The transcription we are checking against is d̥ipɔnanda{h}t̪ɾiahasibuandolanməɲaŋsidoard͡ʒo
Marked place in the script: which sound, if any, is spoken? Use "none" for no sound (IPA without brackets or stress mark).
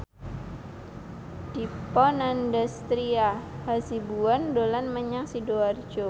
s